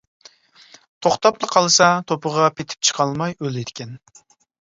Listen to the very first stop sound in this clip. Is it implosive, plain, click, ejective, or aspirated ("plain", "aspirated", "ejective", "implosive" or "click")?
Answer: aspirated